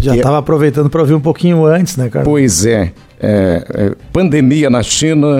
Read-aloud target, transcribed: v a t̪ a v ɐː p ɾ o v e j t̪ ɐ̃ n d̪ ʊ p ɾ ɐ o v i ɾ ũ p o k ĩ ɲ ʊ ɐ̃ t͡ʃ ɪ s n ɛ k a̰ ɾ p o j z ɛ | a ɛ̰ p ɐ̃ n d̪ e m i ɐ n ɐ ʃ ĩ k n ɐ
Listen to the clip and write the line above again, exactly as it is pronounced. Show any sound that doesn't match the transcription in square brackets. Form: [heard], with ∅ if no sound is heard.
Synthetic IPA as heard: [ʒ] a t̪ a v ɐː p ɾ o v e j t̪ ɐ̃ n d̪ ʊ p ɾ ɐ o v i ɾ ũ p o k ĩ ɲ ʊ ɐ̃ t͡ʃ ɪ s n ɛ k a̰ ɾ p o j z ɛ | [ɛ] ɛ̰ p ɐ̃ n d̪ e m i ɐ n ɐ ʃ ĩ [∅] n ɐ